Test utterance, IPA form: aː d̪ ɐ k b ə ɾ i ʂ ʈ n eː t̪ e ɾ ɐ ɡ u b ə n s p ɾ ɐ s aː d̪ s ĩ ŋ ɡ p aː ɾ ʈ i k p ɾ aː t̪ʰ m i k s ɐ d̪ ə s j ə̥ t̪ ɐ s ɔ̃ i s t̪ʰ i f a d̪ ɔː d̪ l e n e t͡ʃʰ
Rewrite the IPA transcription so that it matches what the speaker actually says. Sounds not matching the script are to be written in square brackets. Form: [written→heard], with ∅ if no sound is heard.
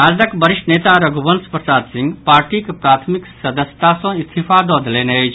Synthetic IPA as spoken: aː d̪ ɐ k b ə ɾ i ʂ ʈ n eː t̪ [e→a] ɾ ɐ ɡ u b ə n s p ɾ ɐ s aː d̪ s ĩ ŋ ɡ p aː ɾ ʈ i k p ɾ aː t̪ʰ m i k s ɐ d̪ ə s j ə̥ t̪ [ɐ→a] s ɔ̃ i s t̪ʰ i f a d̪ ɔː d̪ l e n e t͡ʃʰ